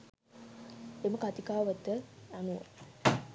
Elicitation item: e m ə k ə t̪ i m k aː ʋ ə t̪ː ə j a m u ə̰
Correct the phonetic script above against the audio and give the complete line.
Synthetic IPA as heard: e m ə k a t̪ i k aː ʋ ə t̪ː ə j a n u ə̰

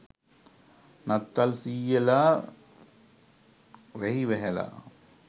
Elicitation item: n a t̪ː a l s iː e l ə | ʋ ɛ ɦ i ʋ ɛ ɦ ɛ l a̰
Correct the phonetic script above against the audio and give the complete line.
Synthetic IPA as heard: n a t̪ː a l s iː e l a | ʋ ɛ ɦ i ʋ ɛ ɦ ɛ l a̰

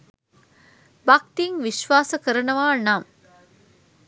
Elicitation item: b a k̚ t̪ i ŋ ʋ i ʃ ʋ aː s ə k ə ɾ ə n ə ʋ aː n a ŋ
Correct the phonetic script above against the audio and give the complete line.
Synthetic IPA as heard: b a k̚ t̪ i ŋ ʋ i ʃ ʋ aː s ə k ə ɾ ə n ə ʋ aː n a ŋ

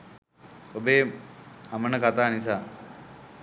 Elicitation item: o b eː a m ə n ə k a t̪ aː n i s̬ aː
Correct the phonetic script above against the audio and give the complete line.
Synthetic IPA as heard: o b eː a m ə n ə k a t̪ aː n i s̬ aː

